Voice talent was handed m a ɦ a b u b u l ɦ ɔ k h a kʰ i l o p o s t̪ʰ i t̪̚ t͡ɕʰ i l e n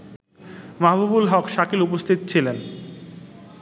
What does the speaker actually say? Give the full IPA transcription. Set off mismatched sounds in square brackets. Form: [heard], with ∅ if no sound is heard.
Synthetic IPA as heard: m a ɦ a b u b u l ɦ ɔ k [ʃ] a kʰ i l [u] p o s t̪ʰ i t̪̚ t͡ɕʰ i l e n